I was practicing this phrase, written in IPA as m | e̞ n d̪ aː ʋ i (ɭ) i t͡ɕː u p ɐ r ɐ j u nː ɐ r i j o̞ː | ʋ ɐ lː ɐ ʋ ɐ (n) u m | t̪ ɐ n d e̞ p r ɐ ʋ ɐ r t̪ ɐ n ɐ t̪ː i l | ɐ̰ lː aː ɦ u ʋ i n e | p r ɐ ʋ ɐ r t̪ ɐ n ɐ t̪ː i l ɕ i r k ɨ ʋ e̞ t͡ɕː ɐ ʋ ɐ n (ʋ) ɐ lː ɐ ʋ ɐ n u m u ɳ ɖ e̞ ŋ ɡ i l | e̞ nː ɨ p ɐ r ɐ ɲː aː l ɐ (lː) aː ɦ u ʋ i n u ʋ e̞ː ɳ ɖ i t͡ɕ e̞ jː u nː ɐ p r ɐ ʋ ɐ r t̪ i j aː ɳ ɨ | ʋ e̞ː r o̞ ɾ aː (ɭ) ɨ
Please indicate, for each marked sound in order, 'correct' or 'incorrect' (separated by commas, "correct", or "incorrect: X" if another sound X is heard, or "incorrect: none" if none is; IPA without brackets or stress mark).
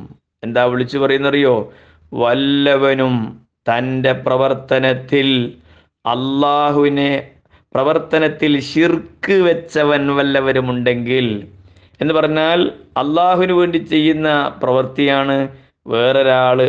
correct, correct, correct, correct, correct